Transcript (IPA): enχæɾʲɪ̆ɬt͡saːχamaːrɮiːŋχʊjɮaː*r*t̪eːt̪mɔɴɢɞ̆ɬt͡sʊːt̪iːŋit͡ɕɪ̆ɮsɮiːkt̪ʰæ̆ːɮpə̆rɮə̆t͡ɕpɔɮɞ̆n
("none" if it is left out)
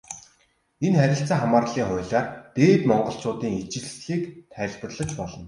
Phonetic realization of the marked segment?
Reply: r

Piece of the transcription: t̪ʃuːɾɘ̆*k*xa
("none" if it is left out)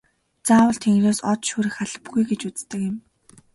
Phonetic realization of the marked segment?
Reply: none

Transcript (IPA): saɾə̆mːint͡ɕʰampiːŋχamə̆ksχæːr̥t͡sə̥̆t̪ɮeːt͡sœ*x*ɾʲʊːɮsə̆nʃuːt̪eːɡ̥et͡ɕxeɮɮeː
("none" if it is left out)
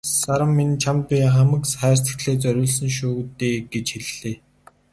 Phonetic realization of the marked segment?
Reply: none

